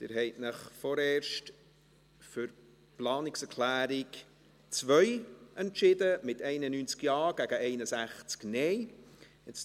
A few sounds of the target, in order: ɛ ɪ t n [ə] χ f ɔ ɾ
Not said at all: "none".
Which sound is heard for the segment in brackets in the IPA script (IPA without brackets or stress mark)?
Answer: ə